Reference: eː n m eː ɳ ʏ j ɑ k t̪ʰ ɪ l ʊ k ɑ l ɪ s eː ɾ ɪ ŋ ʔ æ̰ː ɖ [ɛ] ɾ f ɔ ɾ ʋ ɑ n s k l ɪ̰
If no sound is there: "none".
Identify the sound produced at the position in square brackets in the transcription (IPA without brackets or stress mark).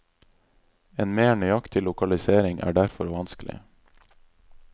æ